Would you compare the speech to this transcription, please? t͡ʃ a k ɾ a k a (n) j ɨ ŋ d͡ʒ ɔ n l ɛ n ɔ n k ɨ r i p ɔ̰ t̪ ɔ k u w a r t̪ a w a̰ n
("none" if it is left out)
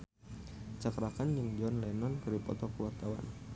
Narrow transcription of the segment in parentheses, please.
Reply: n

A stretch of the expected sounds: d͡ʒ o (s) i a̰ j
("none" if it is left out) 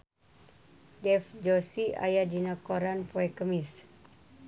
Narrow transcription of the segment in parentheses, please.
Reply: s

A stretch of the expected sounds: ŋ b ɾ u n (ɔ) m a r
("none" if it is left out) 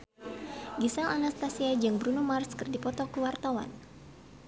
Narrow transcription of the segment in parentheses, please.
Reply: u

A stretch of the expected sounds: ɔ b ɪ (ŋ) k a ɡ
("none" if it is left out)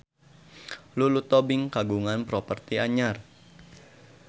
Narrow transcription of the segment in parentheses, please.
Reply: ŋ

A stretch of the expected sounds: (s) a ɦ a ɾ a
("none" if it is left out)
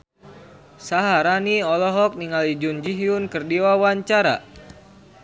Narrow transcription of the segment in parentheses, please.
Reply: s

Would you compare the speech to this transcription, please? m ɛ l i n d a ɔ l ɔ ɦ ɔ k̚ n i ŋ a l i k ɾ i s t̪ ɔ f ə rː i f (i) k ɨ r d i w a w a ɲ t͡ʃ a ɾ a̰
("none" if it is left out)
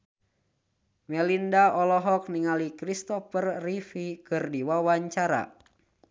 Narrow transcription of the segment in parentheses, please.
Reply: i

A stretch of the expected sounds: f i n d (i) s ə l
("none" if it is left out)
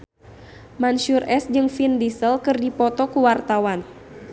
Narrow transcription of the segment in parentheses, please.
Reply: i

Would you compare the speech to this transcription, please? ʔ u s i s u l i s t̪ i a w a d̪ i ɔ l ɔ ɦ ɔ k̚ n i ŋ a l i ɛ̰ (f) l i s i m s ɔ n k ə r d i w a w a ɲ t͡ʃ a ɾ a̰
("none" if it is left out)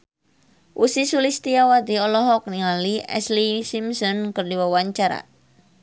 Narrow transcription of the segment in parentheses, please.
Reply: s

